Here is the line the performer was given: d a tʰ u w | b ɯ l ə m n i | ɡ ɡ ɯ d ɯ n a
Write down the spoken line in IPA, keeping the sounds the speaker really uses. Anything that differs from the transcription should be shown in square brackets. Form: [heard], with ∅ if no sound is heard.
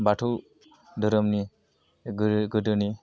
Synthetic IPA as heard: [b] a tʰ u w | [d] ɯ [ɾ] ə m n i | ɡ ɡ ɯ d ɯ n [i]